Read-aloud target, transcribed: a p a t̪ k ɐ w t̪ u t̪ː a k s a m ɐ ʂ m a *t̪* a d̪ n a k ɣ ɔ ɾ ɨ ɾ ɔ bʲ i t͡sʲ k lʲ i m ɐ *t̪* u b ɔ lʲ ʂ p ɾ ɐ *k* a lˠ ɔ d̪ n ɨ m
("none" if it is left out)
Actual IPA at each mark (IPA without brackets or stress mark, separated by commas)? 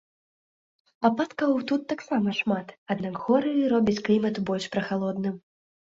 t̪, t̪, x